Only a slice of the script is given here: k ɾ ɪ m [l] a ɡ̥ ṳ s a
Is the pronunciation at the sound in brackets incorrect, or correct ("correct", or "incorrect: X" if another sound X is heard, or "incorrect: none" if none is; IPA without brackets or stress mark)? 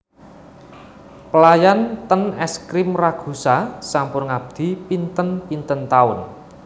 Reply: incorrect: r